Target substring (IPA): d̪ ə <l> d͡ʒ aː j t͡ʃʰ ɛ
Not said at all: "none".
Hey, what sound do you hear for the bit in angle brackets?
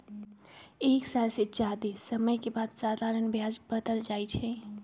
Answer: l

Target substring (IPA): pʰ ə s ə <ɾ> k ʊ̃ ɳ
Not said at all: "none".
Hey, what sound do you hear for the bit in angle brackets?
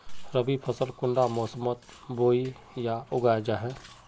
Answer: l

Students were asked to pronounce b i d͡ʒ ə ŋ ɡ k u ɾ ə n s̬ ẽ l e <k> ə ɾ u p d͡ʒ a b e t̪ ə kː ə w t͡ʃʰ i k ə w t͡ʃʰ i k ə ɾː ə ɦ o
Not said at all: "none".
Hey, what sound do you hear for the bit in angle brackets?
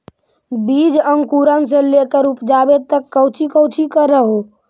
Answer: k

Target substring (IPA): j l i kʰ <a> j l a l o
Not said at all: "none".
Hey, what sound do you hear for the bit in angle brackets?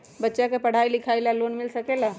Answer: a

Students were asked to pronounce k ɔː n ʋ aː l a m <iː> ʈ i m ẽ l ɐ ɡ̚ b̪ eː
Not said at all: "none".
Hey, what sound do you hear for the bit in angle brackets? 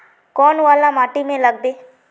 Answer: aː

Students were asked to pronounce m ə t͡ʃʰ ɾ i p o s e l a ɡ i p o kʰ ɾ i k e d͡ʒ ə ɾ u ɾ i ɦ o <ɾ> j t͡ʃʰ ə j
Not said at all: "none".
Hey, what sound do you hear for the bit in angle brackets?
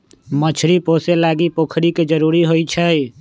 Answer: none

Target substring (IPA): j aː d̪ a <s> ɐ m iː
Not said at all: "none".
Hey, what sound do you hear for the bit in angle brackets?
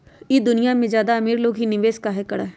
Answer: none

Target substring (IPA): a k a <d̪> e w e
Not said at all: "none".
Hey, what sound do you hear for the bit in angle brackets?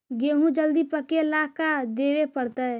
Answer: d̪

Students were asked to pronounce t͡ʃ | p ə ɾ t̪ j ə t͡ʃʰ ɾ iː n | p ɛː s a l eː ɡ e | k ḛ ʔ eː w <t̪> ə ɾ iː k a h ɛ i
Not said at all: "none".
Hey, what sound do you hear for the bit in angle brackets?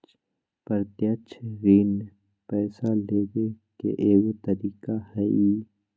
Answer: t̪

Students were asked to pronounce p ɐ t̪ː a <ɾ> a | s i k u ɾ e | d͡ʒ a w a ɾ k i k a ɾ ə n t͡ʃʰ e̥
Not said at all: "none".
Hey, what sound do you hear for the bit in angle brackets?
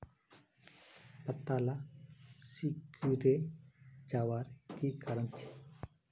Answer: l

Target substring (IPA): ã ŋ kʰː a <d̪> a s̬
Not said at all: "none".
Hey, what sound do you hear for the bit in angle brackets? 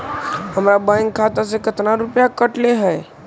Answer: t̪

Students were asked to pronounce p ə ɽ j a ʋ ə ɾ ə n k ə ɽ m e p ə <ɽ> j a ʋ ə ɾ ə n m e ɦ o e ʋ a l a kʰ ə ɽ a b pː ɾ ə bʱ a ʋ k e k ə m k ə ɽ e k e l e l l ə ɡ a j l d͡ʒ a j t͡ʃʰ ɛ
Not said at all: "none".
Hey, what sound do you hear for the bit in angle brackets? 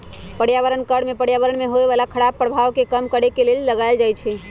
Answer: ɽ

